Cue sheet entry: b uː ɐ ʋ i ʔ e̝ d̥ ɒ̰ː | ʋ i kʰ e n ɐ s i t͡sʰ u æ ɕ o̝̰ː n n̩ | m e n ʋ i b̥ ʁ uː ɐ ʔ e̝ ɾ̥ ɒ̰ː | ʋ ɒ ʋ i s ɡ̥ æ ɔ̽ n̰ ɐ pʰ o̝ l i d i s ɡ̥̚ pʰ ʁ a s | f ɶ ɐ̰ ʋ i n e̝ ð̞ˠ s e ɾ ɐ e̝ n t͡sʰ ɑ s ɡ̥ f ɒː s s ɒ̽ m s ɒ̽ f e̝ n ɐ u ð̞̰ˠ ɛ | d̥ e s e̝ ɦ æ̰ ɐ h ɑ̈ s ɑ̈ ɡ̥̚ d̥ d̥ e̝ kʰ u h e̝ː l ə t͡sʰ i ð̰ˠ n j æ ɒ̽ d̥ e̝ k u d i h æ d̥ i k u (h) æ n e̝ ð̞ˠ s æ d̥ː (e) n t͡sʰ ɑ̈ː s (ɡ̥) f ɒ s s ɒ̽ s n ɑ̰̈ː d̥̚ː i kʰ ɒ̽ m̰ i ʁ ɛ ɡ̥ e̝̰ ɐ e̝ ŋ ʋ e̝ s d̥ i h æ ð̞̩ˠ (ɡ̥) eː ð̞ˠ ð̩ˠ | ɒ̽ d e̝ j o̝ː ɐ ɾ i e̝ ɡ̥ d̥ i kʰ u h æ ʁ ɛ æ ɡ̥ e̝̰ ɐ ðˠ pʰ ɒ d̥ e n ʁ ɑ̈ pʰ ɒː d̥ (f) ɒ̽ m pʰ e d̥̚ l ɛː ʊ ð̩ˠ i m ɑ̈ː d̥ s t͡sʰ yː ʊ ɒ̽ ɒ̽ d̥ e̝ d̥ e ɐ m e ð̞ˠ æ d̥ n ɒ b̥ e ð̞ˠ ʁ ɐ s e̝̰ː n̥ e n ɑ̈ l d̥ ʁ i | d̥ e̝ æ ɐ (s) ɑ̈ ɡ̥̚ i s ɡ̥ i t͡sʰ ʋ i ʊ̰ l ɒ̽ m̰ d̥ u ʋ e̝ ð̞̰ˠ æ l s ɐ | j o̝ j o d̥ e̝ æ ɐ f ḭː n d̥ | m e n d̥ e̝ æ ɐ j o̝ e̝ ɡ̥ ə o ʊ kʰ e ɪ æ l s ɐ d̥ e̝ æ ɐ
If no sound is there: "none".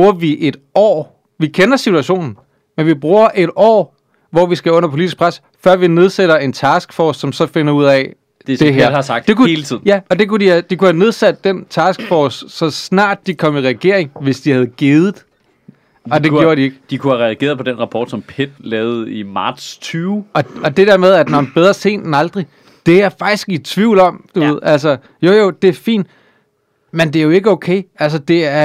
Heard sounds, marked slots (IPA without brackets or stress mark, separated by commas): h, e, ɡ̥, ɡ̥, s, f